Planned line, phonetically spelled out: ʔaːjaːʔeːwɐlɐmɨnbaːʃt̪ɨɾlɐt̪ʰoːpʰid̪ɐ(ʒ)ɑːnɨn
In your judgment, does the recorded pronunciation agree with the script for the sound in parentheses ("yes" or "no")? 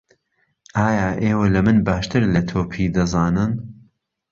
no